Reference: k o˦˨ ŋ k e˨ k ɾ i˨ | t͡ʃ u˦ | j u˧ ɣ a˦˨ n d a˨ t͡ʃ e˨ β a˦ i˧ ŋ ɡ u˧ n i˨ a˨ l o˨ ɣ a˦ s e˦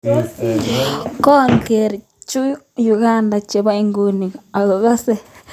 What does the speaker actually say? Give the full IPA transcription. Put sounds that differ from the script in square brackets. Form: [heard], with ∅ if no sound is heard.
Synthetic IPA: k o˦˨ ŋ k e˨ [∅] ɾ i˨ | t͡ʃ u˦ | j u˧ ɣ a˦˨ n d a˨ t͡ʃ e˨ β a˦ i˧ ŋ ɡ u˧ n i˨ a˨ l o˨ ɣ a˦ s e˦